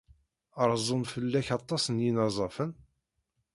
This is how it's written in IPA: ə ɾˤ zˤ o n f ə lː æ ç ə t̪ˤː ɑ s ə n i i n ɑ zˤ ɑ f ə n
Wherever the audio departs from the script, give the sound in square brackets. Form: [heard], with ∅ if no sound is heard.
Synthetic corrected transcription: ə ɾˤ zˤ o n f ə lː æ ç [ɑ] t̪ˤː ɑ s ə n [j] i n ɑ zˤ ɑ f ə n

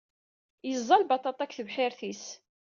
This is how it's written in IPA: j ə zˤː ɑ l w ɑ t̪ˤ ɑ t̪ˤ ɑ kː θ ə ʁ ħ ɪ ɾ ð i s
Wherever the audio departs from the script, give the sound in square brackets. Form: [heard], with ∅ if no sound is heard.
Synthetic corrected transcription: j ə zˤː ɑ l [b] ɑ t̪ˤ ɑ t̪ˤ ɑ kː θ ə [v] ħ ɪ ɾ [θ] i s

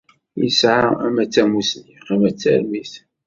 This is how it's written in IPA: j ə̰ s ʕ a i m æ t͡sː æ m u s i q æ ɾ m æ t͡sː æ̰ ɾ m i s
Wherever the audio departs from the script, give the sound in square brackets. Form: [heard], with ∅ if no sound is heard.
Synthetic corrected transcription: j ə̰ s ʕ a [æ] m æ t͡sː æ m u s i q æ [∅] m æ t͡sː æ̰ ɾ m i [θ]

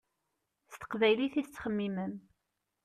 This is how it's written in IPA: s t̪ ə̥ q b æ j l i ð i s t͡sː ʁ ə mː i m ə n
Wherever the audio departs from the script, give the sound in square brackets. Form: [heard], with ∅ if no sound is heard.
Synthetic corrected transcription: s t̪ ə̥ q [v] æ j l i [θ] i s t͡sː [χ] ə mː i m ə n

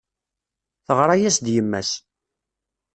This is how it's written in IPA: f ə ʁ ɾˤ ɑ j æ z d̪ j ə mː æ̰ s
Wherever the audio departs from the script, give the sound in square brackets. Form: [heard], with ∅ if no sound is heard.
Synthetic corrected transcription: [θ] ə ʁ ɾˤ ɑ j æ [s] d̪ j ə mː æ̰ s

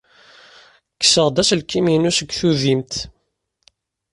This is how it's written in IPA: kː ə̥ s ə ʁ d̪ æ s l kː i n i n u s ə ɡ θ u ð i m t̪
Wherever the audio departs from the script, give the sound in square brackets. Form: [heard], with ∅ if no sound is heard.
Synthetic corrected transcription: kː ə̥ s ə ʁ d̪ æ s l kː i [m] i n u s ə ɡ θ u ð i m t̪

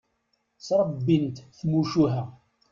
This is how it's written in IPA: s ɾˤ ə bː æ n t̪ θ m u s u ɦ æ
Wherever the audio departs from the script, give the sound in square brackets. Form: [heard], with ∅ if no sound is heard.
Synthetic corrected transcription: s ɾˤ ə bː [i] n t̪ θ m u [ʃ] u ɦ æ

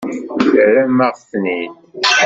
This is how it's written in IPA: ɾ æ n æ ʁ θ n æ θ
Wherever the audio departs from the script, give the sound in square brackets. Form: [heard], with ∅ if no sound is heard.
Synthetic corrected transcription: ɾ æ [m] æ ʁ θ n [i] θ

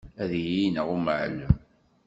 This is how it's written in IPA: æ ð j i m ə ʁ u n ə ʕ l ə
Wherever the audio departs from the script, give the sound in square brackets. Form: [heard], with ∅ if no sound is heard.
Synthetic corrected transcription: æ ð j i [n] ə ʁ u [m] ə ʕ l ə

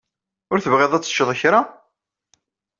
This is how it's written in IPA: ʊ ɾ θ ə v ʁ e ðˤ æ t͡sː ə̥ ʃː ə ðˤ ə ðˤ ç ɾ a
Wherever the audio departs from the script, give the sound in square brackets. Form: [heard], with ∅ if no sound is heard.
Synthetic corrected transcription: ʊ ɾ θ ə v ʁ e ðˤ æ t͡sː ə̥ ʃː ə ðˤ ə [∅] ç ɾ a

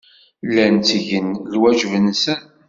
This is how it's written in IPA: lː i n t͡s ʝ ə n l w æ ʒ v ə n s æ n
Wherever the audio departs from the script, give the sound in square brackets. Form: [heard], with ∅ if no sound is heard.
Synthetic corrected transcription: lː [æ] n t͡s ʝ ə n l w æ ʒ v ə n s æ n

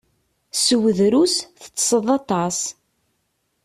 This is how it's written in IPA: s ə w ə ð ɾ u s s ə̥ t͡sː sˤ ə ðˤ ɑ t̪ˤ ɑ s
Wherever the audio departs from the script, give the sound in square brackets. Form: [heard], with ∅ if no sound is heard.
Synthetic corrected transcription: s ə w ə ð ɾ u s [θ] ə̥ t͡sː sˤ ə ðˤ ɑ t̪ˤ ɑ s

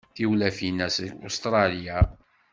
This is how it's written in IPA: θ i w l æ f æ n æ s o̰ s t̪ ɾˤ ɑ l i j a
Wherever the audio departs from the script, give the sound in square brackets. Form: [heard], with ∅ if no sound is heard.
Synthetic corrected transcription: θ i w l æ f [i] n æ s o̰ s t̪ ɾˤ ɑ l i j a

